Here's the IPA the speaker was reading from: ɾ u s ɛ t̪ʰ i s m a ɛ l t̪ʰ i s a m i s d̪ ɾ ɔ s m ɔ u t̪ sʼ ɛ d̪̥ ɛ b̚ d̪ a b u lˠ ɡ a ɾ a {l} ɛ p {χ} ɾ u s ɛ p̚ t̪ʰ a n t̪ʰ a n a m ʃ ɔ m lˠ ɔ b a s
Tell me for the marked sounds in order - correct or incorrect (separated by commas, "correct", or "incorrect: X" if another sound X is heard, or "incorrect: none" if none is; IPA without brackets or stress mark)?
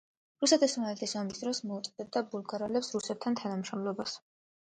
correct, incorrect: s